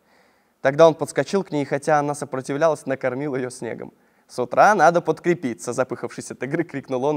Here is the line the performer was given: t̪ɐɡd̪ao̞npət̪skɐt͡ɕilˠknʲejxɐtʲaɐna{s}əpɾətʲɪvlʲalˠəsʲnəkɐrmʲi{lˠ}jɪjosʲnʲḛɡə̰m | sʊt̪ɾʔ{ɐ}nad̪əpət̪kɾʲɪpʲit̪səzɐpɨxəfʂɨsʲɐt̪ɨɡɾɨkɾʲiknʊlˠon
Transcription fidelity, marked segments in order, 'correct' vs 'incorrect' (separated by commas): correct, correct, incorrect